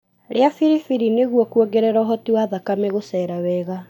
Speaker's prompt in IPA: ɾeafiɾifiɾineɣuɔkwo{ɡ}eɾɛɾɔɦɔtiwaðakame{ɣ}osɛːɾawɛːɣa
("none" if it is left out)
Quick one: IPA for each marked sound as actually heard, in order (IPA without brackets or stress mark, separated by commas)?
ɡ, ɣ